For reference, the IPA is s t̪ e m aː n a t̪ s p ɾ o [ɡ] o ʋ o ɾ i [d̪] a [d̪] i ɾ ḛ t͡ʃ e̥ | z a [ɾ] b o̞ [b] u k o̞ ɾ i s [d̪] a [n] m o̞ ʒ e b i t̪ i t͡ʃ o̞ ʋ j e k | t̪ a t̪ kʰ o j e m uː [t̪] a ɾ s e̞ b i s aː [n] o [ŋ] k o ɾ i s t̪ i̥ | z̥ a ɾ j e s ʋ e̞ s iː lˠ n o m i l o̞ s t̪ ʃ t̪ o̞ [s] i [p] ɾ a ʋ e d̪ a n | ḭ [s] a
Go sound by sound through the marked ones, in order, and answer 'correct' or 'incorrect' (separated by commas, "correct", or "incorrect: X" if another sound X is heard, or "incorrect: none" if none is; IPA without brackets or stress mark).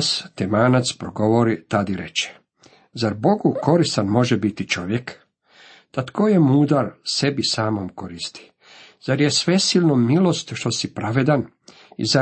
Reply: correct, incorrect: t̪, correct, correct, incorrect: ɡ, incorrect: t̪, correct, incorrect: d̪, incorrect: m, incorrect: m, correct, correct, incorrect: z